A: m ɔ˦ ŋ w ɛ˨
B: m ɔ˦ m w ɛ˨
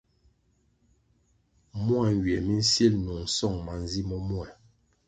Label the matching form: B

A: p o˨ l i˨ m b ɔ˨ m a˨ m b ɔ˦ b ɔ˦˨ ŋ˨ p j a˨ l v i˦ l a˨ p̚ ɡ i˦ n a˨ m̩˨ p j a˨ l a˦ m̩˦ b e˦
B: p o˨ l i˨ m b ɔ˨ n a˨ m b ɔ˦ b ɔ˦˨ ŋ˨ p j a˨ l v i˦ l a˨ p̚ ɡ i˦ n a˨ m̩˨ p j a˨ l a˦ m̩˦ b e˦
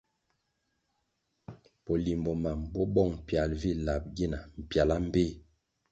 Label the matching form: A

